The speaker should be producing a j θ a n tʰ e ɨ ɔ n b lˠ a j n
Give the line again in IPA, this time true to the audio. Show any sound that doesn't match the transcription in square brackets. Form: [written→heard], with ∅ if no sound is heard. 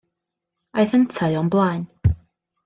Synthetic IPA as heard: a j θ [a→ə] n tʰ [e→a] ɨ ɔ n b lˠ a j n

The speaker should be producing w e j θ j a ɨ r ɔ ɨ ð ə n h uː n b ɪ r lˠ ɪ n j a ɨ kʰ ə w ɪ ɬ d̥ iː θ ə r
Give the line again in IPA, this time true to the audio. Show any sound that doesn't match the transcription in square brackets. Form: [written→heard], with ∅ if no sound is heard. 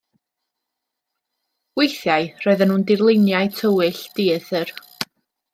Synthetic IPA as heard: w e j θ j a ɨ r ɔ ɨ ð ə n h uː n [b→d] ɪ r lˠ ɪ n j a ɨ [kʰ→tʰ] ə w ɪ ɬ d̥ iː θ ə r

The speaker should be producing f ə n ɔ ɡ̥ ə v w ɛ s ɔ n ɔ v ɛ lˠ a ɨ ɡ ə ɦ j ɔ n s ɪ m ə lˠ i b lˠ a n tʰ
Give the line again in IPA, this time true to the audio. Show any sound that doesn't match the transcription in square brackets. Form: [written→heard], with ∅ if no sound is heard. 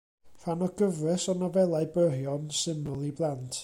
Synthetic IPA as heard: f [ə→a] n ɔ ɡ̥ ə v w ɛ s ɔ n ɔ v ɛ lˠ a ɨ [ɡ→b] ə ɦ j ɔ n s ɪ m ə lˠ i b lˠ a n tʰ

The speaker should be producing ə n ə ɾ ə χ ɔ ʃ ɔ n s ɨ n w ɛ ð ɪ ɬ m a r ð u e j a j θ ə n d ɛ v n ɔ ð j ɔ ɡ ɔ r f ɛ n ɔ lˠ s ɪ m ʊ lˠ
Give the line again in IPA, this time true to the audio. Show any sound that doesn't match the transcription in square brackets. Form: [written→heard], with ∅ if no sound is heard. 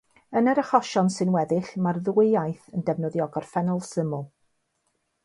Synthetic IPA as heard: ə n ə ɾ ə χ ɔ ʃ ɔ n s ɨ n w ɛ ð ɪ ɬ m a r ð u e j a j θ ə n d ɛ v n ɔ ð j ɔ ɡ ɔ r f ɛ n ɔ lˠ s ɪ m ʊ lˠ

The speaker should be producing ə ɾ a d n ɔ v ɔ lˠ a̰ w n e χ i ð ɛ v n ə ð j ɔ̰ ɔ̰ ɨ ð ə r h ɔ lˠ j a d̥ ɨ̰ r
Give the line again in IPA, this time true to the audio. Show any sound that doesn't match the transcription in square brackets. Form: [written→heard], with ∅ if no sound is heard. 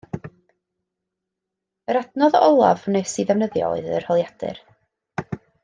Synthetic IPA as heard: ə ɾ a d n ɔ [v→ð] ɔ lˠ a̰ [w→v] n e [χ→s] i ð ɛ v n ə ð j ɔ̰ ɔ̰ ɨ ð ə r h ɔ lˠ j a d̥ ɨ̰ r

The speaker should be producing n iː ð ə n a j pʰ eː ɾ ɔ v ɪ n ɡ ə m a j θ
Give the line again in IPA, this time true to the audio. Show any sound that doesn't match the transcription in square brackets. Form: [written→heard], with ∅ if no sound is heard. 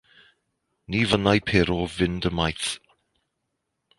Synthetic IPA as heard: n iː [ð→v] ə n a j pʰ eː ɾ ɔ v ɪ n [ɡ→d] ə m a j θ

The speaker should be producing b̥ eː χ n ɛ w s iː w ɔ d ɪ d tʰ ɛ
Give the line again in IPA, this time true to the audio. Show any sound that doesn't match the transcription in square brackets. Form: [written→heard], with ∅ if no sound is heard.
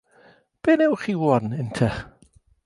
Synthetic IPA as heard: b̥ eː [χ→∅] n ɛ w [s→χ] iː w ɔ [d→n] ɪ [d→n] tʰ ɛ

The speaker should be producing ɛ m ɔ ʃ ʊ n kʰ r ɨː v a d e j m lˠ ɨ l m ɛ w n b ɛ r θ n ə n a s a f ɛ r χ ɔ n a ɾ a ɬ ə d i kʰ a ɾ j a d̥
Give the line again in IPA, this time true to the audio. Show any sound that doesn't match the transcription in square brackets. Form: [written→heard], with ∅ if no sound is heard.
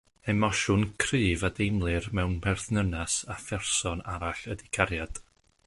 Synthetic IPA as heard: ɛ m ɔ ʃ ʊ n kʰ r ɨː v a d e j m lˠ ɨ [l→r] m ɛ w n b ɛ r θ n ə n a s a f ɛ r [χ→s] ɔ n a ɾ a ɬ ə d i kʰ a ɾ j a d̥

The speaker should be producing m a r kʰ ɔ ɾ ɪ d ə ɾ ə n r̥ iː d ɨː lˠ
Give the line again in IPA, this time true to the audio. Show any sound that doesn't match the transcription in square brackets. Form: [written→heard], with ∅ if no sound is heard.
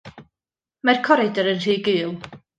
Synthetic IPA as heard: m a r kʰ ɔ ɾ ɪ d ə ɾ ə n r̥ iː [d→ɡ] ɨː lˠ

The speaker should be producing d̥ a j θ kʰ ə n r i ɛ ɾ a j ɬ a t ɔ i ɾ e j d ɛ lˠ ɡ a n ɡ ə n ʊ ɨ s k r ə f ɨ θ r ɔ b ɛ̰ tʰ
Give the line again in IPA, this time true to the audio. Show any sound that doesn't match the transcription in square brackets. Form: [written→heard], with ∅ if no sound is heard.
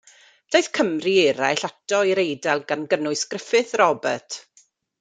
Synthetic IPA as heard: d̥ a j θ kʰ ə [n→m] r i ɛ ɾ a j ɬ a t ɔ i ɾ e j d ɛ lˠ ɡ a n ɡ ə n ʊ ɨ s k r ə f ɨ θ r ɔ b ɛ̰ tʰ

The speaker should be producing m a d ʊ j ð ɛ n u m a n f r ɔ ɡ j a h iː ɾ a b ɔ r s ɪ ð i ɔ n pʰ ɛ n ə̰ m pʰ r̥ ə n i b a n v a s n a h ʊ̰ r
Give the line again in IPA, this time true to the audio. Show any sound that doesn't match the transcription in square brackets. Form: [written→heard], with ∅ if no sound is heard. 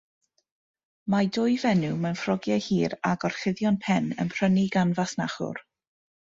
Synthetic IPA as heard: m a d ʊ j [ð→v] ɛ n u m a n f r ɔ ɡ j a h iː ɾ a [b→ɡ] ɔ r [s→χ] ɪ ð [i→j] ɔ n pʰ ɛ n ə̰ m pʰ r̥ ə n i [b→ɡ] a n v a s n a [h→χ] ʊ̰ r

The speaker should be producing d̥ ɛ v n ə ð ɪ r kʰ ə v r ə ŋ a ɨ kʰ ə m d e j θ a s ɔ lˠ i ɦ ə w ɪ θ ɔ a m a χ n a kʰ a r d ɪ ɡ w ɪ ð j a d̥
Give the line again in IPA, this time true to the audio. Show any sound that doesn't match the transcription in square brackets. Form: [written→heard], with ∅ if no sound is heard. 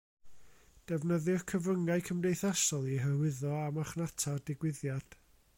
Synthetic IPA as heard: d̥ ɛ v n ə ð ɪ r kʰ ə v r ə ŋ a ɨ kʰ ə m d e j θ a s ɔ lˠ i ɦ ə w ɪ [θ→ð] ɔ a m a χ n a [kʰ→tʰ] a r d ɪ ɡ w ɪ ð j a d̥

